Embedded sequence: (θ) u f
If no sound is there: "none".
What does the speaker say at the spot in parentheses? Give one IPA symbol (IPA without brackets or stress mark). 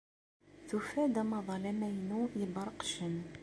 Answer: θ